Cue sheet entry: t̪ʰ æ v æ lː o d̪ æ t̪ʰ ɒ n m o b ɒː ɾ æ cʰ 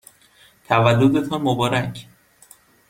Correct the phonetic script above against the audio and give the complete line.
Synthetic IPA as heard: t̪ʰ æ v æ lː o d̪ e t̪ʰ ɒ n m o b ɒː ɾ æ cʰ